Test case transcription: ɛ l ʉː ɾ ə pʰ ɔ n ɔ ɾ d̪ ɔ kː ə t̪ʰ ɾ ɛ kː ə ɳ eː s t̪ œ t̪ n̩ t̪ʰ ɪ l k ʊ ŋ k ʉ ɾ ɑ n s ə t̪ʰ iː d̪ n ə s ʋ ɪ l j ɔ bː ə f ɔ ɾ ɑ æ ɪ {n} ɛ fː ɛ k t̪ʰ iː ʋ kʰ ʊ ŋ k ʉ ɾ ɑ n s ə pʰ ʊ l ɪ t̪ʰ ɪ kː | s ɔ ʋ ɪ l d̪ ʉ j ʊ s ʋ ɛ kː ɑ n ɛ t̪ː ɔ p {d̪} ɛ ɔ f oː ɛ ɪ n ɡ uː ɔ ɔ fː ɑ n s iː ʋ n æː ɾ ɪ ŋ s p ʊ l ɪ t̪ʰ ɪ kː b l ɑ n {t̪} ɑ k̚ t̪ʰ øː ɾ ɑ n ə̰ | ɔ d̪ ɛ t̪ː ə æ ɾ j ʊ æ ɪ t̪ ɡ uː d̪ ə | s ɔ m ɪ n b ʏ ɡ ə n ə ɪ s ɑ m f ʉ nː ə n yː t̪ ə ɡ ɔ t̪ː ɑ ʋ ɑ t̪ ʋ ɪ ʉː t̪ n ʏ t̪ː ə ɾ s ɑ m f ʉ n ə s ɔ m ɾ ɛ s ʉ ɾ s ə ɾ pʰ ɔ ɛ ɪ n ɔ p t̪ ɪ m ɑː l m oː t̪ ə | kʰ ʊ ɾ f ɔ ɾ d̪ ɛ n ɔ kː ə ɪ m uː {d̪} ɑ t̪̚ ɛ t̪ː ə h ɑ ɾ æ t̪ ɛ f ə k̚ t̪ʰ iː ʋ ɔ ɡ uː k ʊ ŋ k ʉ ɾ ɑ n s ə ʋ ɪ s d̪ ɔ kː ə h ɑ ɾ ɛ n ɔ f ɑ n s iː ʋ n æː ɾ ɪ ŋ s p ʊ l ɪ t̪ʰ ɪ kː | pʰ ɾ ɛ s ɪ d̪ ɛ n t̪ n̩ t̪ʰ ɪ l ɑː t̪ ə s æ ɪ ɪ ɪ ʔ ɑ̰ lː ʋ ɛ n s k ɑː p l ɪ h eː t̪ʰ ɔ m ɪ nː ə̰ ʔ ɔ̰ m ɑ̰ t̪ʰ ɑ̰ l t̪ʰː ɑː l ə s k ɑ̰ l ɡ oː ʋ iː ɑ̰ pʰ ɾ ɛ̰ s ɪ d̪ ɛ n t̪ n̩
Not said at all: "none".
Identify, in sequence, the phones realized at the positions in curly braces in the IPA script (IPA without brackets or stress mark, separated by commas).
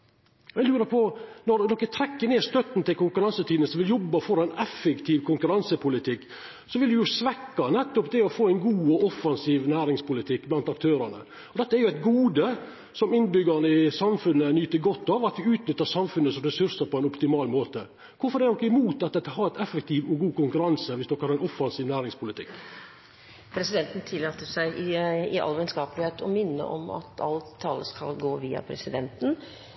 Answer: n, d̪, t̪, t̪